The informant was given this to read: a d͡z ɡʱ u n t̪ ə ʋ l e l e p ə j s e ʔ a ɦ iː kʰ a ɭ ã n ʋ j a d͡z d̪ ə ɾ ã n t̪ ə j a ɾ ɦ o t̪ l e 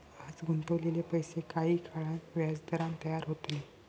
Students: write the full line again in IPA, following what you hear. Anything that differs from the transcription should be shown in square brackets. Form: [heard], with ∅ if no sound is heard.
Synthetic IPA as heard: a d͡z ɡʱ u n t̪ ə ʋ l e l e p ə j s e [k] a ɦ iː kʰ a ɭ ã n ʋ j a d͡z d̪ ə ɾ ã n t̪ ə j a ɾ ɦ o t̪ l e